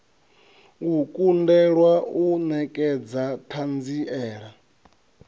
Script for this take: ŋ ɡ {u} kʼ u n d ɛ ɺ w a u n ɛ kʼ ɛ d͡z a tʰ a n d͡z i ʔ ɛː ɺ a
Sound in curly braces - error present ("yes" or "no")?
no